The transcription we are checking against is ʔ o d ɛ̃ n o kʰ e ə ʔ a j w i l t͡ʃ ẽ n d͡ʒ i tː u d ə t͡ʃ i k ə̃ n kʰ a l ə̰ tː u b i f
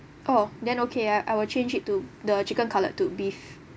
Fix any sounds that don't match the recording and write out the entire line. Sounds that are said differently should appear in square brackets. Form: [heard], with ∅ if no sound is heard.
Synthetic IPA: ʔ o d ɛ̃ n o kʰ e [a] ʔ a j w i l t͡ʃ ẽ n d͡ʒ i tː u d ə t͡ʃ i k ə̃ n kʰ a l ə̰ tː u b i f